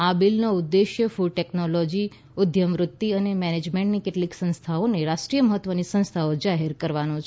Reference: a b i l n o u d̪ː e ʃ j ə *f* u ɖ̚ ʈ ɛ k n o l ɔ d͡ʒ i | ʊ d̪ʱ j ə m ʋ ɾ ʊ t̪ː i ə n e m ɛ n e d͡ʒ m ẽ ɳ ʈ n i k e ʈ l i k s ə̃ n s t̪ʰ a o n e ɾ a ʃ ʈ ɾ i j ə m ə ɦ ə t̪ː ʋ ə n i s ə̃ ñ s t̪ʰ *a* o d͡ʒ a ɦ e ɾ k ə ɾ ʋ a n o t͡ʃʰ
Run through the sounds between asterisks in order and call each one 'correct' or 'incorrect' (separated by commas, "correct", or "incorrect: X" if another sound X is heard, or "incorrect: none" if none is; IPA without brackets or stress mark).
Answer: correct, correct